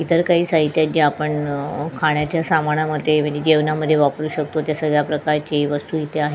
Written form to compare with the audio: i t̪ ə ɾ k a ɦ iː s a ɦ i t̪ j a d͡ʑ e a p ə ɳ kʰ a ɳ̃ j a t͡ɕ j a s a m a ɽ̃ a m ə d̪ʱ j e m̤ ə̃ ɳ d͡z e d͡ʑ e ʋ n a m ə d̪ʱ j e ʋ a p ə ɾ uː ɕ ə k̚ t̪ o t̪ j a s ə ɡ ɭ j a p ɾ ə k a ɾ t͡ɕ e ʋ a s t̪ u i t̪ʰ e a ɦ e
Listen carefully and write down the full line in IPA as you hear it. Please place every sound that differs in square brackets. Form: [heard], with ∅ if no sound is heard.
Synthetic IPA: i t̪ ə ɾ k a ɦ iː s a ɦ i t̪ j a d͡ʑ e a p ə ɳ kʰ a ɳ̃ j a t͡ɕ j a s a m a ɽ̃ a m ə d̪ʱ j e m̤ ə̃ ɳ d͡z e d͡ʑ e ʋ n a m ə d̪ʱ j e ʋ a p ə ɾ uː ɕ ə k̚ t̪ o t̪ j a s ə ɡ ɭ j a p ɾ ə k a ɾ t͡ɕ e ʋ [ə] s t̪ u i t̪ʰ e a ɦ e